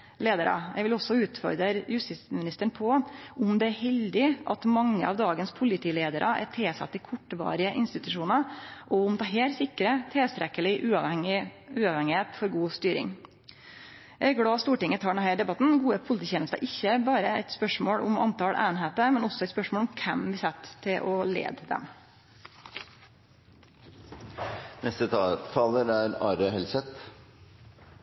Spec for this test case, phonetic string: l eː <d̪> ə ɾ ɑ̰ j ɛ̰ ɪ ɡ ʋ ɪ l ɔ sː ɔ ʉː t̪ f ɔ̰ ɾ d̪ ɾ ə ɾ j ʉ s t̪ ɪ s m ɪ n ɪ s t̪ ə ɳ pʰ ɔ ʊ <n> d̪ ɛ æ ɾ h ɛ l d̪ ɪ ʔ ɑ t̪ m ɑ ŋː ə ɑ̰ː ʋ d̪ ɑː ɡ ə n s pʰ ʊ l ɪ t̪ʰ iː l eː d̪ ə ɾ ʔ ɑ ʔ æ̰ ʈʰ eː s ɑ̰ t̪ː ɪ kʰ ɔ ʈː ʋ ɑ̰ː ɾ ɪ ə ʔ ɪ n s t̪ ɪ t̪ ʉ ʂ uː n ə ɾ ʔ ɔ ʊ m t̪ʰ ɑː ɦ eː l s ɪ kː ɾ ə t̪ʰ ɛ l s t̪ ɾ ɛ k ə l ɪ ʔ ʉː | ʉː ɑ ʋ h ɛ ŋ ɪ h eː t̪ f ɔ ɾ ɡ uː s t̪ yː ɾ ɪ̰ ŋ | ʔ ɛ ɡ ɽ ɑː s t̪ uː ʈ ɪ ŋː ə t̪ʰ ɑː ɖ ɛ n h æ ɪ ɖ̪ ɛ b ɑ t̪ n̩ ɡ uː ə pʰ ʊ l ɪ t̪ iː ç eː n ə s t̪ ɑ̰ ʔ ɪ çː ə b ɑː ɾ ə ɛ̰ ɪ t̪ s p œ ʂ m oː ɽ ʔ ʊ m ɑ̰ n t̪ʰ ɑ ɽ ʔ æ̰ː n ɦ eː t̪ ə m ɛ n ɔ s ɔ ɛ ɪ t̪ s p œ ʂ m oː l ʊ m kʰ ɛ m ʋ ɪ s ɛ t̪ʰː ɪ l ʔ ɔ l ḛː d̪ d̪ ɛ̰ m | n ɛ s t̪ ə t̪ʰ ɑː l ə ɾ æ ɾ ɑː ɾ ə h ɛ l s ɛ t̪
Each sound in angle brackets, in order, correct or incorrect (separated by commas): correct, incorrect